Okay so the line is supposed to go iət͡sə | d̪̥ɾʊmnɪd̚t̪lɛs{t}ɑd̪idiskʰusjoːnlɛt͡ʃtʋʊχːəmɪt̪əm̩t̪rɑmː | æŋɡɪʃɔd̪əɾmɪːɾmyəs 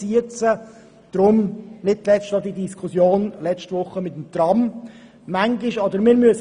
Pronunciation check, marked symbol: correct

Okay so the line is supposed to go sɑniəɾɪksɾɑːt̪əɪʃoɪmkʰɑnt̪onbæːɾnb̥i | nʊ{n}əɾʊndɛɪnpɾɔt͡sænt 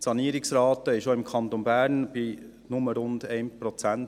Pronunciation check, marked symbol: incorrect: m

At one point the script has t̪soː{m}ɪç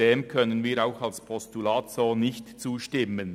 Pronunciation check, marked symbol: incorrect: n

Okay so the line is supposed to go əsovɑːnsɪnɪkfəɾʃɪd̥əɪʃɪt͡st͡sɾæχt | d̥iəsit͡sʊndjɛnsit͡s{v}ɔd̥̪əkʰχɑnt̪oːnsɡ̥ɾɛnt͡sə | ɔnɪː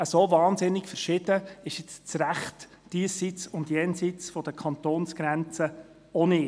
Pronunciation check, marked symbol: incorrect: f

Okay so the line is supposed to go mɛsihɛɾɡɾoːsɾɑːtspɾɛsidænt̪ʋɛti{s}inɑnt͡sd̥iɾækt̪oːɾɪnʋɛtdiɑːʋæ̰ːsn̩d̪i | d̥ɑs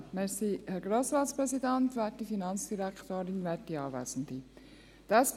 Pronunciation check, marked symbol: incorrect: f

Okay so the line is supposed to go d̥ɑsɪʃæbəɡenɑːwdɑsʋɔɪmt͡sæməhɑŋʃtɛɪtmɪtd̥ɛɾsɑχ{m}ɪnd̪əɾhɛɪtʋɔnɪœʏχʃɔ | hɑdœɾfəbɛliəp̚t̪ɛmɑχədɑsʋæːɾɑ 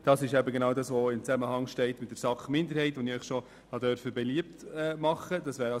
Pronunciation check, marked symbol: correct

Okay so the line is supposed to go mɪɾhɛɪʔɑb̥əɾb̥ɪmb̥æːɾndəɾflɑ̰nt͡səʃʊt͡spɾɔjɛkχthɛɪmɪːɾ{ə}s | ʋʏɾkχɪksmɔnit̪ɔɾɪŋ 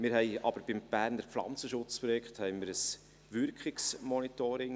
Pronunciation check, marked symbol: correct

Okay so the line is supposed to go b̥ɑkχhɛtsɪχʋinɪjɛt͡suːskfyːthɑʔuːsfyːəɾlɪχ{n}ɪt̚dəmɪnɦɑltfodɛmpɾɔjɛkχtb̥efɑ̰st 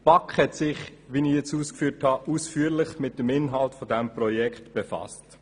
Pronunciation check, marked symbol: incorrect: m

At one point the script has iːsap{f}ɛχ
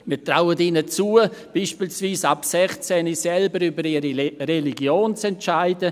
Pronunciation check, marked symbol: incorrect: s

